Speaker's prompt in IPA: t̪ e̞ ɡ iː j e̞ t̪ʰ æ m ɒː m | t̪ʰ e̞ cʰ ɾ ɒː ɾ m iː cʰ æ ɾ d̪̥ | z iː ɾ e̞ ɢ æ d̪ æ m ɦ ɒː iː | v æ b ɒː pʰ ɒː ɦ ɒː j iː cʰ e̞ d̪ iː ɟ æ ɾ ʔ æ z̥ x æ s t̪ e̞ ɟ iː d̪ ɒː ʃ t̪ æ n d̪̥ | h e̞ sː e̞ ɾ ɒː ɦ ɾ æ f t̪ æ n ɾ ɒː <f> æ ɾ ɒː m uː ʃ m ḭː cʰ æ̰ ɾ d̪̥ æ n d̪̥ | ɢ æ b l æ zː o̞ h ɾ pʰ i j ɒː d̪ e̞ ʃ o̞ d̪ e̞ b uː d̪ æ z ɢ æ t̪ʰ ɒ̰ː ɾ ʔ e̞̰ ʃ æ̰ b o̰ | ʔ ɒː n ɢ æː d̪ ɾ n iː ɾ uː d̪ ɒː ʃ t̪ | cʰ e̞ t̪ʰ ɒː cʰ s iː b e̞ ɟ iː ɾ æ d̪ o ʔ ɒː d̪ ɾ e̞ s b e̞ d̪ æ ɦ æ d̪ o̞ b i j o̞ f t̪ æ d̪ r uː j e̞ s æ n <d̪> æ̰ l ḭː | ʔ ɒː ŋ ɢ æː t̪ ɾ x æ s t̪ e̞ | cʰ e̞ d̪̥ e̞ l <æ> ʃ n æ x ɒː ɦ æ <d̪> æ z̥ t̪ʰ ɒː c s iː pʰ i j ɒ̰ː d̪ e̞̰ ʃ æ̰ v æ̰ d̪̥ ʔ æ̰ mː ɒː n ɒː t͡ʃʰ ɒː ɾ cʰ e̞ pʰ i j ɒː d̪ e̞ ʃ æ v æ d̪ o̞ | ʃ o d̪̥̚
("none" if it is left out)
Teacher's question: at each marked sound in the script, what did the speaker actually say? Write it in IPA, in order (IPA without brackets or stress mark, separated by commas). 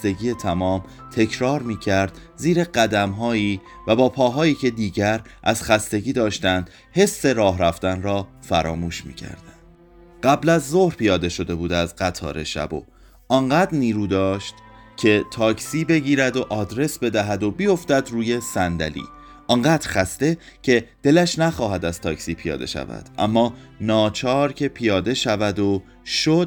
f, d̪, æ, d̪